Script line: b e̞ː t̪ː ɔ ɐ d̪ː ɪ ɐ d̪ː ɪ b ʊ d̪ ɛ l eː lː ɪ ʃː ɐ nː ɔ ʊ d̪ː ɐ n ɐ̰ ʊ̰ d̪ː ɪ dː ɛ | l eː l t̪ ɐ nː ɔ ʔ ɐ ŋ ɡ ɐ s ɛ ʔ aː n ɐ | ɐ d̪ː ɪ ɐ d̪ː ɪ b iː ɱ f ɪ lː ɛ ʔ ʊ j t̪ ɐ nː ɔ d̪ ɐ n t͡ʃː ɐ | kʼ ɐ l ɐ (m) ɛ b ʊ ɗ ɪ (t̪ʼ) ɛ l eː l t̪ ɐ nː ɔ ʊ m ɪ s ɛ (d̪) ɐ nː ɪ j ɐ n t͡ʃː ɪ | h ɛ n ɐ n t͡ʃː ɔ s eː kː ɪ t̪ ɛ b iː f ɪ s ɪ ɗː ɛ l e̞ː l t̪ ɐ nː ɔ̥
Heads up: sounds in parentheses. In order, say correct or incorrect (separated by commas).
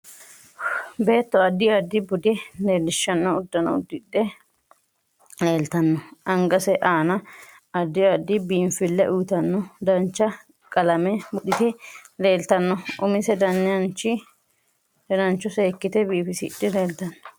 correct, incorrect, correct